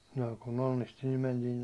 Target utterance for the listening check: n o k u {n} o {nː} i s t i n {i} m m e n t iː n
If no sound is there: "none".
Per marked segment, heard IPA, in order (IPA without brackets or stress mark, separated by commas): n, nː, i